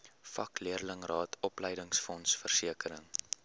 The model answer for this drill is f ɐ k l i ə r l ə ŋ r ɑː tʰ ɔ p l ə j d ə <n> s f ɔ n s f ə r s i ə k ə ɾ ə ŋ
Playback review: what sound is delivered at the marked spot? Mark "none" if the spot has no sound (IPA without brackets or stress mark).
ŋ